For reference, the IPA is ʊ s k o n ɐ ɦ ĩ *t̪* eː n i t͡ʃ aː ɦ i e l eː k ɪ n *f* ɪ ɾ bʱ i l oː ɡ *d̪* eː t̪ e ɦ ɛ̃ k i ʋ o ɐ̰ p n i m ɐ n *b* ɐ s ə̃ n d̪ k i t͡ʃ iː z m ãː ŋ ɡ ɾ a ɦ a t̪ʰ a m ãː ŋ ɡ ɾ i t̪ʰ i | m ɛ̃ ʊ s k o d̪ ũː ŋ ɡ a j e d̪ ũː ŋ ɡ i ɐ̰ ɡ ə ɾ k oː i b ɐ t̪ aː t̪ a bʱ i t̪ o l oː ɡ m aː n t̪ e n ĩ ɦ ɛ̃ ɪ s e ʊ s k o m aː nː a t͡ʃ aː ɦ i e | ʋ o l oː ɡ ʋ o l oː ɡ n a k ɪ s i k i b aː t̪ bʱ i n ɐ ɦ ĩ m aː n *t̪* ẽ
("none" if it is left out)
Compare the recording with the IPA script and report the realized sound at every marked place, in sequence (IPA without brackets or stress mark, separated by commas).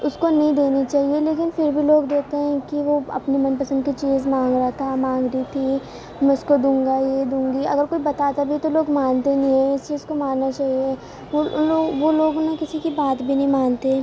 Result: d̪, f, d̪, p, t̪